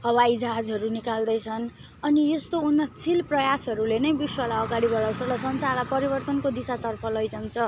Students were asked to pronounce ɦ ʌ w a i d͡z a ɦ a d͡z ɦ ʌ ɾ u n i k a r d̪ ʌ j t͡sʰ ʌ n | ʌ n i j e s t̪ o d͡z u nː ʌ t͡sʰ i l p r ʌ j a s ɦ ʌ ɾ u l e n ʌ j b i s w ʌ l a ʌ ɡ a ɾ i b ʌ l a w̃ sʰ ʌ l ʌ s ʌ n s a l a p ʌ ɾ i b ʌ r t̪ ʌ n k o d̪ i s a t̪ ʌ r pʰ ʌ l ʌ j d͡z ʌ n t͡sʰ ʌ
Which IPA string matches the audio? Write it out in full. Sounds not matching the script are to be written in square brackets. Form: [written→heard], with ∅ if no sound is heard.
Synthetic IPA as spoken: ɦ ʌ w a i d͡z a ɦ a d͡z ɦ ʌ ɾ u n i k a [r→l] d̪ ʌ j t͡sʰ ʌ n | ʌ n i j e s t̪ o [d͡z→∅] u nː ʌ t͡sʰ i l p r ʌ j a s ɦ ʌ ɾ u l e n ʌ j b i s w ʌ l a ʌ ɡ a [ɾ→ɽ] i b ʌ l a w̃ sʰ ʌ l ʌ s ʌ n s a l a p ʌ ɾ i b ʌ r t̪ ʌ n k o d̪ i s a t̪ ʌ r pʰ ʌ l ʌ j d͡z ʌ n t͡sʰ ʌ